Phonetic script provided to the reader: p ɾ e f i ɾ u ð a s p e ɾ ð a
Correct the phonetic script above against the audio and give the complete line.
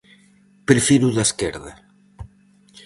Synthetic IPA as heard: p ɾ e f i ɾ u ð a s k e ɾ ð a